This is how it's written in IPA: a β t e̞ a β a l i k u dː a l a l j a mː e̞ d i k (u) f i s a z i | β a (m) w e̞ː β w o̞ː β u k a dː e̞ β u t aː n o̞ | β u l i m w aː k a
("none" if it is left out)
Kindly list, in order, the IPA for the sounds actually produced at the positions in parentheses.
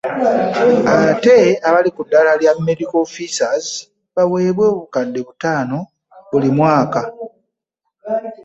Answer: o, none

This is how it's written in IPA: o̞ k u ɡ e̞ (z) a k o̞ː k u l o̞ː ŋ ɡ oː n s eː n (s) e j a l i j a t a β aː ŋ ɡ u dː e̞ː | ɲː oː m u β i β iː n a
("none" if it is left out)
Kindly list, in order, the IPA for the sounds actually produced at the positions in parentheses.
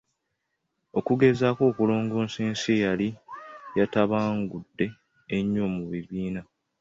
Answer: z, s

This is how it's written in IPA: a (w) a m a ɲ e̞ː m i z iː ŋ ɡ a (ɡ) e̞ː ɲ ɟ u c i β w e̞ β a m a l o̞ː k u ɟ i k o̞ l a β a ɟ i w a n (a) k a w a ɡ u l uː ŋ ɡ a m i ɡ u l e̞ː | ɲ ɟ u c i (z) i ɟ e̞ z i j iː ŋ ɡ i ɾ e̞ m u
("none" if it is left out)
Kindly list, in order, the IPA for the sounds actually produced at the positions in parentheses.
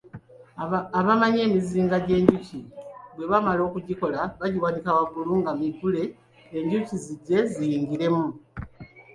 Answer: β, ɟ, i, z

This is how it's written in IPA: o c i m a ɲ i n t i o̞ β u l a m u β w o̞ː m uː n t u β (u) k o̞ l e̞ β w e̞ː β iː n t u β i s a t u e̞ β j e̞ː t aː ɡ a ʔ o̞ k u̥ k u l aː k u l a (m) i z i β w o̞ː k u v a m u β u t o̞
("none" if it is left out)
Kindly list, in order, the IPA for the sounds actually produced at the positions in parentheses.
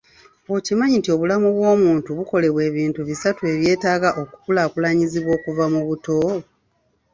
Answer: u, ɲ

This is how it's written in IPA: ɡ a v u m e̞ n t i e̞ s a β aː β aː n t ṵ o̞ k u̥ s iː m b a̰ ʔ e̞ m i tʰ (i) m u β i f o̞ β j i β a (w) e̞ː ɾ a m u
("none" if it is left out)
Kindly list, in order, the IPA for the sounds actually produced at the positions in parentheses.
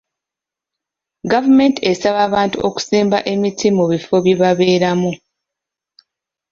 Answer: i, β

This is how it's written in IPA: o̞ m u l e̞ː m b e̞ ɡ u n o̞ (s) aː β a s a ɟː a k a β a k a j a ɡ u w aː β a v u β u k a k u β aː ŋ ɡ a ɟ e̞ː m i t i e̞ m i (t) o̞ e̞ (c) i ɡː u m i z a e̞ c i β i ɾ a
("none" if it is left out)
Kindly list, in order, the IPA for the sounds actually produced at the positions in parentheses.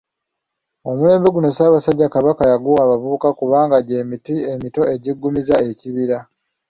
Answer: s, t, ɟ

